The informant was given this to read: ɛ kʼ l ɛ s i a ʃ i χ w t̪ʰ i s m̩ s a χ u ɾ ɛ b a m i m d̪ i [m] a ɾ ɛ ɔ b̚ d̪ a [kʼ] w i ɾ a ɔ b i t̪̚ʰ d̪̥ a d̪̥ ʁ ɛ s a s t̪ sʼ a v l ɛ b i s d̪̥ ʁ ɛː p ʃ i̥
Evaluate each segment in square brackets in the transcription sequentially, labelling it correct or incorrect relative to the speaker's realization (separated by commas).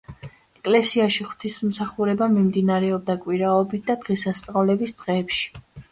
incorrect, correct